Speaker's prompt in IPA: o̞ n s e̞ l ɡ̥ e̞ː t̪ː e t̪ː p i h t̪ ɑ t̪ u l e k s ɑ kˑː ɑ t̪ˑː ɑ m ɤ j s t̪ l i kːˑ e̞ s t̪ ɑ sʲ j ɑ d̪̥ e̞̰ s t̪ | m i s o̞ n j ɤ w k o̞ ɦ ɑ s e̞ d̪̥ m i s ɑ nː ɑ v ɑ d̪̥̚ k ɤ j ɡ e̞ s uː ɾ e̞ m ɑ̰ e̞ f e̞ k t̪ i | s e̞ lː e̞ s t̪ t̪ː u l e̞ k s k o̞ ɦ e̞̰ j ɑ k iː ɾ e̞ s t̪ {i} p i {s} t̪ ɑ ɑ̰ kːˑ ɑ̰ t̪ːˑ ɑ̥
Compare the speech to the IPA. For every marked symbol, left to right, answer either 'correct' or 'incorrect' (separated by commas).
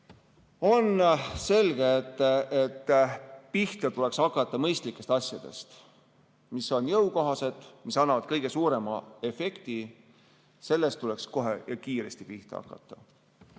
correct, incorrect